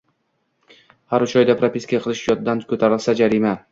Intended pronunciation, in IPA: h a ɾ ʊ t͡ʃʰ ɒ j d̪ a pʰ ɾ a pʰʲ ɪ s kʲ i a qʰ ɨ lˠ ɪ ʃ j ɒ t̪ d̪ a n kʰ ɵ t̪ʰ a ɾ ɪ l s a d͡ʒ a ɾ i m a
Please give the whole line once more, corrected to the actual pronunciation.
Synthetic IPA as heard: h a ɾ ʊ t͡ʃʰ ɒ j d̪ a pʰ ɾ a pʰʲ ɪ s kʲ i a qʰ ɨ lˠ ɪ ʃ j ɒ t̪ d̪ a n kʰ ɵ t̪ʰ a ɾ ɪ l s a d͡ʒ a ɾ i m a